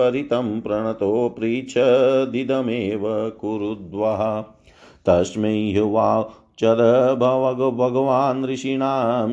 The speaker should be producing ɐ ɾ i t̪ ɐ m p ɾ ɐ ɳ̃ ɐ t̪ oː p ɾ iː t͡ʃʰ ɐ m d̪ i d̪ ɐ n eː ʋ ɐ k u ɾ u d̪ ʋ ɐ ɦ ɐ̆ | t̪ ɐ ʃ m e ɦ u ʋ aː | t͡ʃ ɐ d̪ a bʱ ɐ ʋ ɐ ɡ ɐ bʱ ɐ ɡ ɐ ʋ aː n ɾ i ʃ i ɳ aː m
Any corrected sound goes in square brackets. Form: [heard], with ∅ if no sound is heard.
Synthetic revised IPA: ɐ ɾ i t̪ ɐ m p ɾ ɐ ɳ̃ ɐ t̪ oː p ɾ iː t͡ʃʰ ɐ [∅] d̪ i d̪ ɐ [m] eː ʋ ɐ k u ɾ u d̪ ʋ ɐ ɦ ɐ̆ | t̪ ɐ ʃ m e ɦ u ʋ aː | t͡ʃ ɐ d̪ [ɐ] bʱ ɐ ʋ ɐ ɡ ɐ bʱ ɐ ɡ ɐ ʋ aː n ɾ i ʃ i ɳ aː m